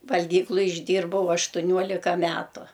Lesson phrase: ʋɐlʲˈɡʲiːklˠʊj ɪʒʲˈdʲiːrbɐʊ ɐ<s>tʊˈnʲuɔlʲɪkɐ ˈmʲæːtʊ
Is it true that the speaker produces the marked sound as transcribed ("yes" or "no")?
no